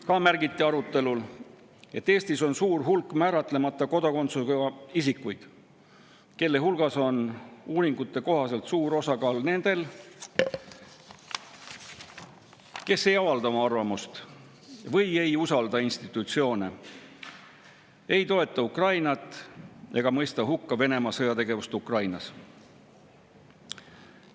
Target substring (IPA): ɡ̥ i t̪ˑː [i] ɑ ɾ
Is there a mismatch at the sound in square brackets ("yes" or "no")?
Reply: no